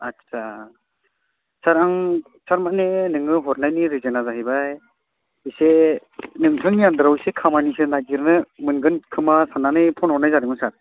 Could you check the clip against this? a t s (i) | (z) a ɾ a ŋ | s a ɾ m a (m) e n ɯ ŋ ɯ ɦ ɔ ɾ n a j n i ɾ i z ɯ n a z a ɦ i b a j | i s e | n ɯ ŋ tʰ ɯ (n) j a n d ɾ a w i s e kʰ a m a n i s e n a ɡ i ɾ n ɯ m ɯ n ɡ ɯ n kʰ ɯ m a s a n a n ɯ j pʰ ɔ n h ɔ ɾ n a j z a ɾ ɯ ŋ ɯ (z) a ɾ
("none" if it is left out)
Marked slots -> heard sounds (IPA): a, s, n, ŋ, s

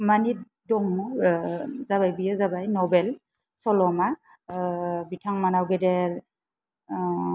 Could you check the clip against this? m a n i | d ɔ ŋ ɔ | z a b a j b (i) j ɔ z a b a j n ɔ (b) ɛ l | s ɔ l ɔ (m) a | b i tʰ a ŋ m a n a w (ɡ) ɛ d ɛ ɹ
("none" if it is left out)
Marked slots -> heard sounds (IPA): i, b, m, ɡ

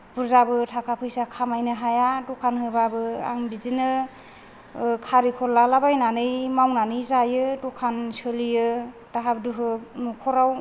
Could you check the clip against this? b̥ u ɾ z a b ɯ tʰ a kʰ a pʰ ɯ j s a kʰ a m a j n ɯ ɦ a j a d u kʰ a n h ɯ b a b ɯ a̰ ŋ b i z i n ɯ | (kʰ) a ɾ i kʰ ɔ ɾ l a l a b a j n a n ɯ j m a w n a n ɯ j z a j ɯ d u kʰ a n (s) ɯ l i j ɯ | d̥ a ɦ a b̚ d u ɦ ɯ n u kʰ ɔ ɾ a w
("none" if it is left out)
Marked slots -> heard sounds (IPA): kʰ, s

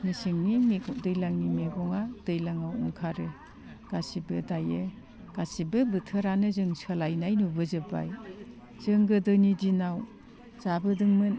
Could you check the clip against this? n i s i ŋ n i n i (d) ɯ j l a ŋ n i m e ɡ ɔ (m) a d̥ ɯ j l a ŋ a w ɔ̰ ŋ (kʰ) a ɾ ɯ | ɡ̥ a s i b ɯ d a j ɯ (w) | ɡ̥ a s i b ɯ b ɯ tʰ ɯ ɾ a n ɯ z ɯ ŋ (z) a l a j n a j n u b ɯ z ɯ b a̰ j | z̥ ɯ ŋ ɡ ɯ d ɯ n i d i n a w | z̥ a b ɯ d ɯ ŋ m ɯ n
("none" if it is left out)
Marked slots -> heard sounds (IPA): d, ŋ, kʰ, none, s

